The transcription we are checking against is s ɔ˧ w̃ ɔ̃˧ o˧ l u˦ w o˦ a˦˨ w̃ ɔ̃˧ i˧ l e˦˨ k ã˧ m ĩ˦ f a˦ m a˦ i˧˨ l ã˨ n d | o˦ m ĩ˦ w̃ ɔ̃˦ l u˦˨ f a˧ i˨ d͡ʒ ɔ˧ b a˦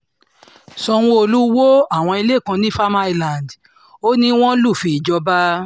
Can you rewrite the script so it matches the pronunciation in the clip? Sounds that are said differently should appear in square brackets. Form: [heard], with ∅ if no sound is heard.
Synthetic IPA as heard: s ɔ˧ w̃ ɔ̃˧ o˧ l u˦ w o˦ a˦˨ w̃ ɔ̃˧ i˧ l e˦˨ k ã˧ [n] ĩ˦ f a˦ m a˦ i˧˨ l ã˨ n d | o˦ [n] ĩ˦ w̃ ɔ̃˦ l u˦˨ f [i˧] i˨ d͡ʒ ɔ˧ b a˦